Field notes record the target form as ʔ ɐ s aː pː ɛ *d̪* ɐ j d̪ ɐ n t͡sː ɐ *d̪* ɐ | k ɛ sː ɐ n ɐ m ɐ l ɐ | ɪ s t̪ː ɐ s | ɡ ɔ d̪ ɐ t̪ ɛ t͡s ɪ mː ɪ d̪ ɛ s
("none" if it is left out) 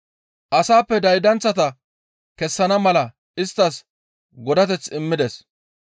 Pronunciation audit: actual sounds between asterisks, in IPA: d̪, t̪

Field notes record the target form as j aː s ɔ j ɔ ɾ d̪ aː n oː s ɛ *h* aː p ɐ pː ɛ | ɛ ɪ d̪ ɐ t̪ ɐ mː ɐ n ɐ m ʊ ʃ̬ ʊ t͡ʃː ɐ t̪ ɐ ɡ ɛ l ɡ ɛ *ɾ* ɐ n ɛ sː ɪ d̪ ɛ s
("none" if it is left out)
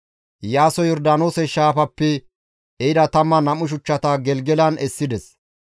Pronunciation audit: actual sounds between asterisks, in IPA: ʃ, l

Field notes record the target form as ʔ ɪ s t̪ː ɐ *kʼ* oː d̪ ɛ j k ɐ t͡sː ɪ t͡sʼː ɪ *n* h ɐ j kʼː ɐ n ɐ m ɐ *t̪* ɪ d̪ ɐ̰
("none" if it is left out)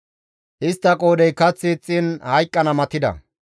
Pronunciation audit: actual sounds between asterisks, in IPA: kʼ, n, t̪

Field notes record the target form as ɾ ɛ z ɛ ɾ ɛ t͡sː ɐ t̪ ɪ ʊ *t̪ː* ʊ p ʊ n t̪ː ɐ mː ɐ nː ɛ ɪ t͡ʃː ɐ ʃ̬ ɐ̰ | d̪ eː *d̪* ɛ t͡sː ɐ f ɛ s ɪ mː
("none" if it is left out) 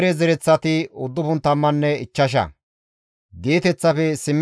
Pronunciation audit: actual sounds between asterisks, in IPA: d̪ː, t̪

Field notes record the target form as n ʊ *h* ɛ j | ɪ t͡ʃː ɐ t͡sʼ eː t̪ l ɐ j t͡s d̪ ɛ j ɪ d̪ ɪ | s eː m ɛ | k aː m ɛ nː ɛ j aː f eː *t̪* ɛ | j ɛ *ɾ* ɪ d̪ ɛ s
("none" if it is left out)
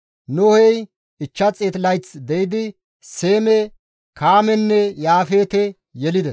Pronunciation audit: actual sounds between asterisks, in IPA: h, t̪, l

